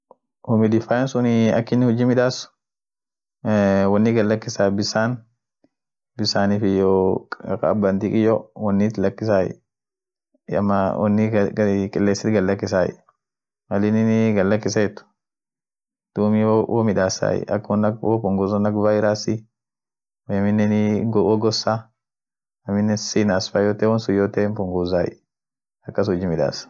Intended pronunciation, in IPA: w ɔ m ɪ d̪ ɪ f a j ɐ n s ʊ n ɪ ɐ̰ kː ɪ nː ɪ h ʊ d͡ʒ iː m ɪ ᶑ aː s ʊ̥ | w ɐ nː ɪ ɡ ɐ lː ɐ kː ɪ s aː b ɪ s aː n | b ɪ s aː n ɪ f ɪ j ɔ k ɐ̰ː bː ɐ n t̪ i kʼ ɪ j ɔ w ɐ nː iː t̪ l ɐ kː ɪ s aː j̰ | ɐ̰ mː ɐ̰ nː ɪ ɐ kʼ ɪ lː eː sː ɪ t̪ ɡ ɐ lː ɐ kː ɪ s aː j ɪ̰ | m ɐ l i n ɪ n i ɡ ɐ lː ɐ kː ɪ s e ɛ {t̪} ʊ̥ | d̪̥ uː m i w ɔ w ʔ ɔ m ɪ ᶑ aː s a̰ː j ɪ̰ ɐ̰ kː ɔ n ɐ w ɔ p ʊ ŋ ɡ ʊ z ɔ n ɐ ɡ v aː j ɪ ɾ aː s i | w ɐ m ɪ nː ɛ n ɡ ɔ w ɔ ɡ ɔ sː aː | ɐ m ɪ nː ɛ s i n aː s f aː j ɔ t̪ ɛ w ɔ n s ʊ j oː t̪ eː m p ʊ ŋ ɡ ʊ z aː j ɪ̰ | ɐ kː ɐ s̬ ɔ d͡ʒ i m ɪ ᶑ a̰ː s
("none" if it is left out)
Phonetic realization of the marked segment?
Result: t̪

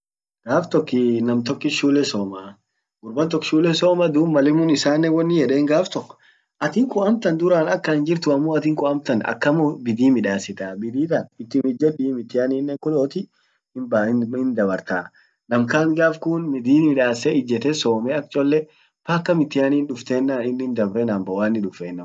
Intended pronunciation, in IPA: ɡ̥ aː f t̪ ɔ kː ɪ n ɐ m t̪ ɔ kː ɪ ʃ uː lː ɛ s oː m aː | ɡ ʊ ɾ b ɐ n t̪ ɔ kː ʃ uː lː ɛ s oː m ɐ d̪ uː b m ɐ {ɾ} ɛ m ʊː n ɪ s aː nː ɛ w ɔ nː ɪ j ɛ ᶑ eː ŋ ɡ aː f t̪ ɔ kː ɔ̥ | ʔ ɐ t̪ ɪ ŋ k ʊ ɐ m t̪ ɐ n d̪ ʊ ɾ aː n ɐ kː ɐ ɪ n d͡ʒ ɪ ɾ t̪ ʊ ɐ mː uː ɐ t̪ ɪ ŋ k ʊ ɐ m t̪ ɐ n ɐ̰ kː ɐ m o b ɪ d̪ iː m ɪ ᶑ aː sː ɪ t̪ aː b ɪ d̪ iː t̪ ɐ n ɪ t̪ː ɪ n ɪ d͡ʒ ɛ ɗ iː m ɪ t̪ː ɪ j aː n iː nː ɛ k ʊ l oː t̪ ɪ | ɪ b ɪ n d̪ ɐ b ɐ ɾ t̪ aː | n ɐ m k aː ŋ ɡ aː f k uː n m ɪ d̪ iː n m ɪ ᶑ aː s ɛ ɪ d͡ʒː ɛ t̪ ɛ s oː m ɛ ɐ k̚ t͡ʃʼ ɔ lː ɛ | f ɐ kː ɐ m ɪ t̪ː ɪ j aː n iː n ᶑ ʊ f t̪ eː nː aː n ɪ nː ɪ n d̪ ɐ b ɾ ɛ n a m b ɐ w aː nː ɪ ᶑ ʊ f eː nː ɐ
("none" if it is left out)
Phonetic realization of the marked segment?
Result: l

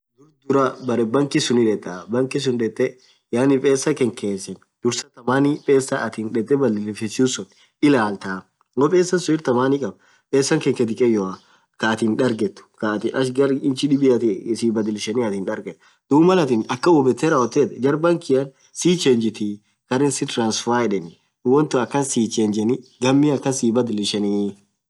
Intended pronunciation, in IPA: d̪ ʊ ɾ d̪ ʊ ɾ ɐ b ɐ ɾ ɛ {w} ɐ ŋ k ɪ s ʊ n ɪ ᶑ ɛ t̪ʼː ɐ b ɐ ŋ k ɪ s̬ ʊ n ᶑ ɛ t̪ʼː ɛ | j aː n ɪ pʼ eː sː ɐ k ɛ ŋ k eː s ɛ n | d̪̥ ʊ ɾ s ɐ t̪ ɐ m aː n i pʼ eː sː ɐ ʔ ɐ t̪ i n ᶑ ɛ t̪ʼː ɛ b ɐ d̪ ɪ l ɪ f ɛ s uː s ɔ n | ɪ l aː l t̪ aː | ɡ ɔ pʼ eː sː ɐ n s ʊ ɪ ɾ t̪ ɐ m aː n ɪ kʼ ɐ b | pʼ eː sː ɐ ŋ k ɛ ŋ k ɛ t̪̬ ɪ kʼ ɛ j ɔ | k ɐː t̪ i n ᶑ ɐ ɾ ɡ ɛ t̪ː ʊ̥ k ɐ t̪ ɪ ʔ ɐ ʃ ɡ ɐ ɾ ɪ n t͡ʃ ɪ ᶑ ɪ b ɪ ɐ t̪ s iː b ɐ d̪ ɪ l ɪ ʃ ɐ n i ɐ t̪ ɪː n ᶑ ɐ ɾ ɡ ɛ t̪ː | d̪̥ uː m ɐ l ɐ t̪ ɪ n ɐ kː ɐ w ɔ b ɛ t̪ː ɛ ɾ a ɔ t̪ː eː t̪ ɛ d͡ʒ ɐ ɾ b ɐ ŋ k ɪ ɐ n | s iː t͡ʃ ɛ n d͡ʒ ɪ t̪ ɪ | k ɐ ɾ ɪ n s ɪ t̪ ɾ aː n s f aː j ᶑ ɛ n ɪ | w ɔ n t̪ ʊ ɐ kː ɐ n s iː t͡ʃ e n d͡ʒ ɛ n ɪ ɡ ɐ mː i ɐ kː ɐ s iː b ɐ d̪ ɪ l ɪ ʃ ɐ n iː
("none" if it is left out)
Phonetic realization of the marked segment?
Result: b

